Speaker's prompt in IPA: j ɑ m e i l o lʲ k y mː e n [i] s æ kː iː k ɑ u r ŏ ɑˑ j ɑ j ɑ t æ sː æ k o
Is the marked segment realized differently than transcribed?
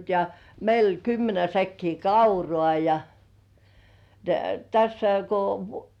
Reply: yes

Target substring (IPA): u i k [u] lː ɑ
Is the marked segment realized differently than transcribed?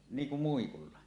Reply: no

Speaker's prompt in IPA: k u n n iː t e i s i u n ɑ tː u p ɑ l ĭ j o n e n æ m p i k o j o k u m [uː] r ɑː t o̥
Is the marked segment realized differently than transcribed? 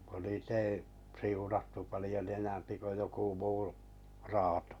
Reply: no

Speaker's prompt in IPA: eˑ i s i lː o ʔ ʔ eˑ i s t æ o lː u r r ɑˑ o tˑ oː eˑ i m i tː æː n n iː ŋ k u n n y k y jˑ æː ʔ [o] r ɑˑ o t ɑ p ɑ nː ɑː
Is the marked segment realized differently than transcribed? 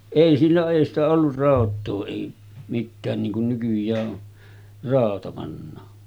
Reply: no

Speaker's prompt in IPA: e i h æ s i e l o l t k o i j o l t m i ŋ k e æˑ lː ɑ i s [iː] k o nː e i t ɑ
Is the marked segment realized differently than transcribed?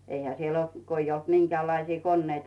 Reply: no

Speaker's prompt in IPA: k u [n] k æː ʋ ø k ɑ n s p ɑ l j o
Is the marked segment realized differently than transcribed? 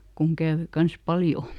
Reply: yes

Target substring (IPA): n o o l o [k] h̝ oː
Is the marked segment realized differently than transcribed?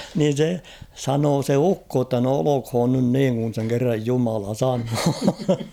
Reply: no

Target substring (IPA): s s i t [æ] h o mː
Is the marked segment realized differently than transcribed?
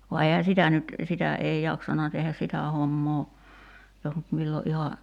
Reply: no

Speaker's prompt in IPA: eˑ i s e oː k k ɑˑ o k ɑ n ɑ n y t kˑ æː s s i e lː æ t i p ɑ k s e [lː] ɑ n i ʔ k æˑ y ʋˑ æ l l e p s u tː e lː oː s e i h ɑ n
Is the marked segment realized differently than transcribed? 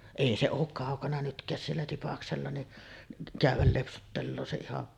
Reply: no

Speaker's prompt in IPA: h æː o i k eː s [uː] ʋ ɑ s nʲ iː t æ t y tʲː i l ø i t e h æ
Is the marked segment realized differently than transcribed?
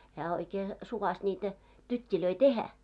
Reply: yes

